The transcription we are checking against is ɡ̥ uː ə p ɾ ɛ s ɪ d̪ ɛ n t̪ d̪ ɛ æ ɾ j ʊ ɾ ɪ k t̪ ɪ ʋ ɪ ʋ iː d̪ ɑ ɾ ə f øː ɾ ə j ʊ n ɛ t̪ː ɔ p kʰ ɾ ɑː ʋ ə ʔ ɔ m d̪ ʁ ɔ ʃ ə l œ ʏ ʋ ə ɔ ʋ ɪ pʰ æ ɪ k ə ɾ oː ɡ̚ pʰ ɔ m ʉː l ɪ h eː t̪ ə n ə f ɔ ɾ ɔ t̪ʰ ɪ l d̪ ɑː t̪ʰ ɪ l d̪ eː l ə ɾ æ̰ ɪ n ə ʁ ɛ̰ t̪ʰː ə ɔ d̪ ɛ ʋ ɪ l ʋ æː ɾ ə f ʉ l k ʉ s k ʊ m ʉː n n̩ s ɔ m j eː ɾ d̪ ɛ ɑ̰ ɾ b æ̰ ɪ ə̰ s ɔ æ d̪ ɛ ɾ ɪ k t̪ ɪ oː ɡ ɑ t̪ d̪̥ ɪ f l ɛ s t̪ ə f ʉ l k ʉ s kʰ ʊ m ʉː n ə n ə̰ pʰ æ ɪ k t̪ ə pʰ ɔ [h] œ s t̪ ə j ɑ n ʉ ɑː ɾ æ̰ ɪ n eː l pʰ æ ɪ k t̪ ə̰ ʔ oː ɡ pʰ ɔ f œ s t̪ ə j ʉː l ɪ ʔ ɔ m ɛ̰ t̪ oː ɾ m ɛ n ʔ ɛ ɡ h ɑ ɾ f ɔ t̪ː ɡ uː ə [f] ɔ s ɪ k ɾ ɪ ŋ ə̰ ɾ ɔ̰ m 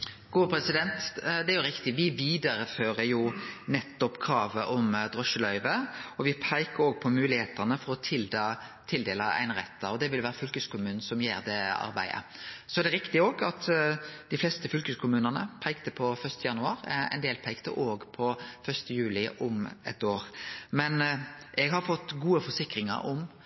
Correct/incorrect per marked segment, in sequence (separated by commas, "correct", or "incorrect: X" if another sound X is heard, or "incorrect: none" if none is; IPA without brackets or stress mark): incorrect: f, correct